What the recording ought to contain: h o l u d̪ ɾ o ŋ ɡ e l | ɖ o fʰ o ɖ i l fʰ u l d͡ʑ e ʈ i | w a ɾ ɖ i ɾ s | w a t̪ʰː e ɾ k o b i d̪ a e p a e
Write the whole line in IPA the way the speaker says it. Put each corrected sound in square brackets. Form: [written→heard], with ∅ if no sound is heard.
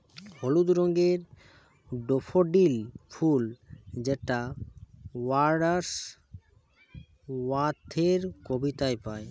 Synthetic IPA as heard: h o l u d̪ ɾ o ŋ ɡ e [l→ɾ] | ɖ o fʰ o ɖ i l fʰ u l d͡ʑ e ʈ [i→a] | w a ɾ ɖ [i→a] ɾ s | w a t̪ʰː e ɾ k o b i [d̪→t̪] a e p a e